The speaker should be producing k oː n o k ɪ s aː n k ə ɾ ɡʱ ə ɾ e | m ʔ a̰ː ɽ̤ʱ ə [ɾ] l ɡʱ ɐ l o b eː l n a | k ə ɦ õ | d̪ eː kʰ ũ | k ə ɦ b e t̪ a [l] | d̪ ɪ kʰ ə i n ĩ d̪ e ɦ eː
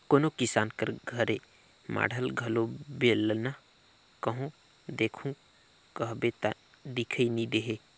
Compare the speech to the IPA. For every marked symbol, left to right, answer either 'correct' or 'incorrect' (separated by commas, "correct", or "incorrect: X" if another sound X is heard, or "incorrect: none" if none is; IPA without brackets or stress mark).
incorrect: none, incorrect: none